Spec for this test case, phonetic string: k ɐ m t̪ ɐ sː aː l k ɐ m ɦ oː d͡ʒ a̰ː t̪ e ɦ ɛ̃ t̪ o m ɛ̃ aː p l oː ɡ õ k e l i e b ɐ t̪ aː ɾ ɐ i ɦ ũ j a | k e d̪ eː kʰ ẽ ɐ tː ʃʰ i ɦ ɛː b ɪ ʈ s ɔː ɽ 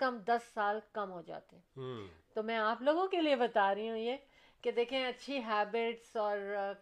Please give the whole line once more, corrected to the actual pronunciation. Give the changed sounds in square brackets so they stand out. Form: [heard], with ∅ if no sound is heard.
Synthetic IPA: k ɐ m [d̪] ɐ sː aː l k ɐ m ɦ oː d͡ʒ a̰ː t̪ e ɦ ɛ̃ t̪ o m ɛ̃ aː p l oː ɡ õ k e l i e b ɐ t̪ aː ɾ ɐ i ɦ ũ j [e] | k e d̪ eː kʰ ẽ ɐ tː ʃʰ i ɦ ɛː b ɪ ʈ s ɔː [ɾ]